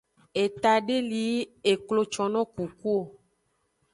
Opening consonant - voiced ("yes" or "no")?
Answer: no